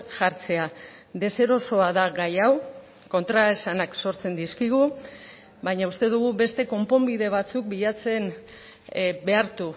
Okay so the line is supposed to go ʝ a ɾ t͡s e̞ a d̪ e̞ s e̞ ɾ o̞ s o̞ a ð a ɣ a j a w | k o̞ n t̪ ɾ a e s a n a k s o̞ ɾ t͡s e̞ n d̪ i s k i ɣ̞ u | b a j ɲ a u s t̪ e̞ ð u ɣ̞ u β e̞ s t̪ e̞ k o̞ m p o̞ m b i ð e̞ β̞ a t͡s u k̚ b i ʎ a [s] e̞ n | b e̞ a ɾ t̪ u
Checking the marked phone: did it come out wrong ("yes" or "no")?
yes